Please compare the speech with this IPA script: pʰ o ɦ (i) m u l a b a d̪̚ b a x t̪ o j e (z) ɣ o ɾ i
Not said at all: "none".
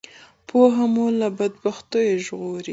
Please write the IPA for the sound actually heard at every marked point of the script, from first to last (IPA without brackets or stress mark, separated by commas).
a, ʒ